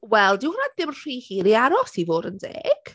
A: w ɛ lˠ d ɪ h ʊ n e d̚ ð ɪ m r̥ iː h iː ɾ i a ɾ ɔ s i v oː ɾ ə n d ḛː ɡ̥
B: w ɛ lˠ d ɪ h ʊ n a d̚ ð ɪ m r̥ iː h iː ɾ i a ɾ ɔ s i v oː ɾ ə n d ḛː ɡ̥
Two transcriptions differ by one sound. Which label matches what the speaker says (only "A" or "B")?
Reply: B